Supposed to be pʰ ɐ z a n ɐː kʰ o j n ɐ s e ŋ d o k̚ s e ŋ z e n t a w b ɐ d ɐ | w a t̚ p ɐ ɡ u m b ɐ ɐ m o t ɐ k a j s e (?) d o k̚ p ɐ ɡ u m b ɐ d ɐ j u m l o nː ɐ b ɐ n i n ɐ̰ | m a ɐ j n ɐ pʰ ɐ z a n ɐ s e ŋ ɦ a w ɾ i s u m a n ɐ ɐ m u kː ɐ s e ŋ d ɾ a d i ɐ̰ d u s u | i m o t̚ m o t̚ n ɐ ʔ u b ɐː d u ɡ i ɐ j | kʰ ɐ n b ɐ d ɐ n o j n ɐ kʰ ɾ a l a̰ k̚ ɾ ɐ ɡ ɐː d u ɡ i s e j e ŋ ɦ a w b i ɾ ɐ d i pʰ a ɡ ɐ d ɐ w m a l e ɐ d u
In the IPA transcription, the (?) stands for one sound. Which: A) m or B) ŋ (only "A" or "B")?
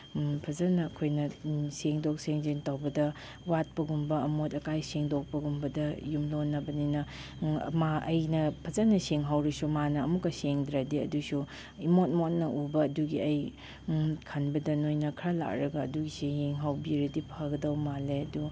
B